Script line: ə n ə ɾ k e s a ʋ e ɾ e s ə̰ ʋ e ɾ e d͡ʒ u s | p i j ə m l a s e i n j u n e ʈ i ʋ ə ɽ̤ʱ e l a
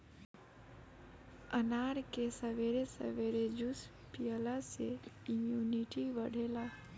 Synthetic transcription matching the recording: ə n a ɾ k e s ə ʋ e ɾ e s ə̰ ʋ e ɾ e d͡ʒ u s | p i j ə l a s e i m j u n i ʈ i ʋ ə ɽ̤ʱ e l a